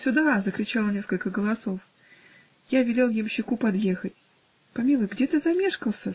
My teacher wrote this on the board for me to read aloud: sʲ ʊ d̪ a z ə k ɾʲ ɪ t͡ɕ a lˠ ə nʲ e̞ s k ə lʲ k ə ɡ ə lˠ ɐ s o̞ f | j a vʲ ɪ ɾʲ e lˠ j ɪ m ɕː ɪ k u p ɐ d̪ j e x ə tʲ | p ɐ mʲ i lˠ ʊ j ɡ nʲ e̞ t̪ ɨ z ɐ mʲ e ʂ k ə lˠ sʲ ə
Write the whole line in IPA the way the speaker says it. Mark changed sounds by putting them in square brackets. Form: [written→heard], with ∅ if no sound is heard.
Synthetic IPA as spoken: sʲ ʊ d̪ a z ə k ɾʲ ɪ t͡ɕ a lˠ ə nʲ e̞ s k ə lʲ k ə ɡ ə lˠ ɐ s o̞ f | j a vʲ ɪ [ɾʲ→lʲ] e lˠ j ɪ m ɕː ɪ k u p ɐ d̪ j e x ə tʲ | p ɐ mʲ i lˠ ʊ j ɡ [nʲ→dʲ] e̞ t̪ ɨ z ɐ mʲ e ʂ k ə lˠ sʲ ə